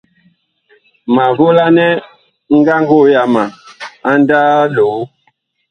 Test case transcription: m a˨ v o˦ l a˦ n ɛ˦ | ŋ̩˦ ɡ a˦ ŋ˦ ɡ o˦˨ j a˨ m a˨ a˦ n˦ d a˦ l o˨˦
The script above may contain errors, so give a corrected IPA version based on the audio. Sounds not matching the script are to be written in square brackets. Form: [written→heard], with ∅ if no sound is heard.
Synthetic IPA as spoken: m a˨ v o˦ l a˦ n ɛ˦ | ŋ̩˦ ɡ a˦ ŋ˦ ɡ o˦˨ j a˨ m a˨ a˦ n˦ d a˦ l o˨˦